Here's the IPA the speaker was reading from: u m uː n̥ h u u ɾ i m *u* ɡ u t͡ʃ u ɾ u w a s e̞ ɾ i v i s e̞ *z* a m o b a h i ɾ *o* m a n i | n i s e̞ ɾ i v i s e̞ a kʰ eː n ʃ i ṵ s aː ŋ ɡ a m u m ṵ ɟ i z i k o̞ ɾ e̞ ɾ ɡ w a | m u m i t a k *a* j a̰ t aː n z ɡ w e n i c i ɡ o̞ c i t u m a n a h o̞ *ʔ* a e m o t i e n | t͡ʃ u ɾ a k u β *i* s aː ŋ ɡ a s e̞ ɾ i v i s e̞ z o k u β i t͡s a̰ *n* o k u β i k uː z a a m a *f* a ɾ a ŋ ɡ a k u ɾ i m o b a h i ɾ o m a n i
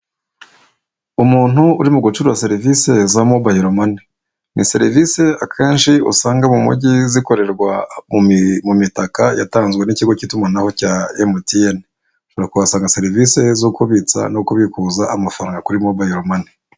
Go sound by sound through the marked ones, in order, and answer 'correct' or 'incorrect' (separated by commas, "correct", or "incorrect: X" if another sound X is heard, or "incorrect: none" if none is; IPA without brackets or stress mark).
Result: correct, correct, correct, correct, incorrect: c, incorrect: a, correct, correct